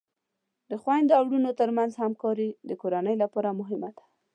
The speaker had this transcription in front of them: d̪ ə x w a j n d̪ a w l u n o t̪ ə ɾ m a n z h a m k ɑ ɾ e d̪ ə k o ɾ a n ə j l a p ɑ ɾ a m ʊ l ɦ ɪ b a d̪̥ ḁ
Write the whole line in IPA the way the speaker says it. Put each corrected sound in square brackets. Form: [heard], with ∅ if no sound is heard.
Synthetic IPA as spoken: d̪ ə x w a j n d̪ a w [ɽ] u n o t̪ ə ɾ m a n z h a m k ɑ ɾ [i] d̪ ə k o ɾ a n ə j l a p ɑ ɾ a m ʊ [∅] ɦ ɪ [m] a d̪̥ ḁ